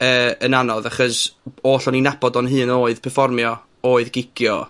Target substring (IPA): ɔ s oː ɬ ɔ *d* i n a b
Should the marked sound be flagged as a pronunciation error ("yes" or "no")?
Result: yes